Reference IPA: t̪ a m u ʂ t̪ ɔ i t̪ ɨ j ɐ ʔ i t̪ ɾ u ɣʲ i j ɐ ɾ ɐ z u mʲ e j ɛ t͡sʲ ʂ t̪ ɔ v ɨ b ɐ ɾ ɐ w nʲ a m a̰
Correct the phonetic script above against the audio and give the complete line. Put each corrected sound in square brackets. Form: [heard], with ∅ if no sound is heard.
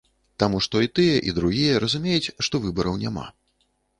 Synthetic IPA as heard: t̪ a m u ʂ t̪ ɔ i t̪ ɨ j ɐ ʔ i [d̪] ɾ u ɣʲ i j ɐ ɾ ɐ z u mʲ e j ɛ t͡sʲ ʂ t̪ ɔ v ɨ b ɐ ɾ ɐ w nʲ a m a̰